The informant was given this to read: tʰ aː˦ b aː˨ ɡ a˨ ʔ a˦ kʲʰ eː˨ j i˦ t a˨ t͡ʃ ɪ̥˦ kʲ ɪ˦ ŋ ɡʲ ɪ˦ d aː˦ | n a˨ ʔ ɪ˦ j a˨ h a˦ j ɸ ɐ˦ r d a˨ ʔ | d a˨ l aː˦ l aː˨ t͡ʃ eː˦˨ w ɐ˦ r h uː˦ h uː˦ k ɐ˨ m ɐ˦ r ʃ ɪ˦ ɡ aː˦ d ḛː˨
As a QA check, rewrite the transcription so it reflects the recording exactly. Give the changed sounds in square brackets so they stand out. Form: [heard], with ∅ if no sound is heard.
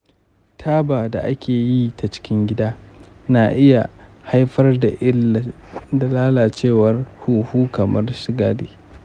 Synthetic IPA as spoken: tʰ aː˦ b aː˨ [d] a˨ ʔ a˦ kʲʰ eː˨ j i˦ t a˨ t͡ʃ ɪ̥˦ kʲ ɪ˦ ŋ ɡʲ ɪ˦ d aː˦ | n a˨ ʔ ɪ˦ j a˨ h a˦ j ɸ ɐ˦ r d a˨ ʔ | d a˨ l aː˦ l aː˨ t͡ʃ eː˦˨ w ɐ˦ r h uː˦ h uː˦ k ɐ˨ m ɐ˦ r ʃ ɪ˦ ɡ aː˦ d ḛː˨